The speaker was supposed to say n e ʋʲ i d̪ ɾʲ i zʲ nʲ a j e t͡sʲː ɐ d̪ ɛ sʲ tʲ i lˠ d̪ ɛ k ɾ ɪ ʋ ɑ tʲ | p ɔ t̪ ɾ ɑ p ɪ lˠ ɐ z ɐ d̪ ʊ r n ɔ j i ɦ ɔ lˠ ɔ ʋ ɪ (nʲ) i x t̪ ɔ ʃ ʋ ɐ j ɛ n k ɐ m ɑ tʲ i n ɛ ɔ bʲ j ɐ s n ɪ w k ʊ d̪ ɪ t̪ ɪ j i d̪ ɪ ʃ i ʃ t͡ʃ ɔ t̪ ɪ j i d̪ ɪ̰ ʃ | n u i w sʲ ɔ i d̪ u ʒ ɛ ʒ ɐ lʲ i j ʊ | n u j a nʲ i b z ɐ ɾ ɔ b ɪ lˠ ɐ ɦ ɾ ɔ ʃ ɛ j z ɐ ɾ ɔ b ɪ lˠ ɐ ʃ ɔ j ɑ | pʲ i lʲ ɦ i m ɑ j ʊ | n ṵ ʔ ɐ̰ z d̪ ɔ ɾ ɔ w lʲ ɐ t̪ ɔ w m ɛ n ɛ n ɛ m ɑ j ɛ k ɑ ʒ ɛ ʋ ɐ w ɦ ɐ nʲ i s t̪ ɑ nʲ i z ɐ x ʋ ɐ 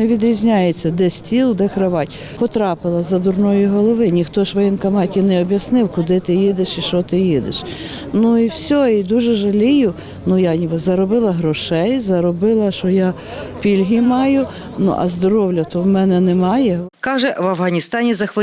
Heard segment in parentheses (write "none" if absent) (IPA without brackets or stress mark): nʲ